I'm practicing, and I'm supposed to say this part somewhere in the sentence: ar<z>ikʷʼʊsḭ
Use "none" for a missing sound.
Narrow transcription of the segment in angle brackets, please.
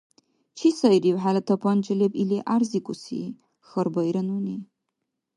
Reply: z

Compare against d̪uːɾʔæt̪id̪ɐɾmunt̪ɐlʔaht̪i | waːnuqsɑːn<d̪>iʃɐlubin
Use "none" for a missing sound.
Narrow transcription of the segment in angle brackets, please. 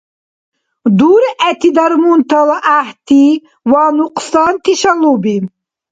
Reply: t̪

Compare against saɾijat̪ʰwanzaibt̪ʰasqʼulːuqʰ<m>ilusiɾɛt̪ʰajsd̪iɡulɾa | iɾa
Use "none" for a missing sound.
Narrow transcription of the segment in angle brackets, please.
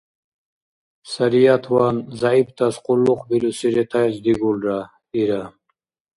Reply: b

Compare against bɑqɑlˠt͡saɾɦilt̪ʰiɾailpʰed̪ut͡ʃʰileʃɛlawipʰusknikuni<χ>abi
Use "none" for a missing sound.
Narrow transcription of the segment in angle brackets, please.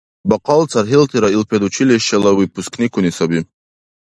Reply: s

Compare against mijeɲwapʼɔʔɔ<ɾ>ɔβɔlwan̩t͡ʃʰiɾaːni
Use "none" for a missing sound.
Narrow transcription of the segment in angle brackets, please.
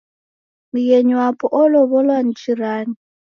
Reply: l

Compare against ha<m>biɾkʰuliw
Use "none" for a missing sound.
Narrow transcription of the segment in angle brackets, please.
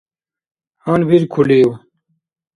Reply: n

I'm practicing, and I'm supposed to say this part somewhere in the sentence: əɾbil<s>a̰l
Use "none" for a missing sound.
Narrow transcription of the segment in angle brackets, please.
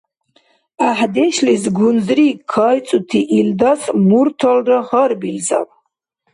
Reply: z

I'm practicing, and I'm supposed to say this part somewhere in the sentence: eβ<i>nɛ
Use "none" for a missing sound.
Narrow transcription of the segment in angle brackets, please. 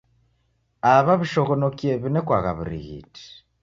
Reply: i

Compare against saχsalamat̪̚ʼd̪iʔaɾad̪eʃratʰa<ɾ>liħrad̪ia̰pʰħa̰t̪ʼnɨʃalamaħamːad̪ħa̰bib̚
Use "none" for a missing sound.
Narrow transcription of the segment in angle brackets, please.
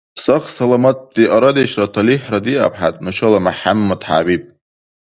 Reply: none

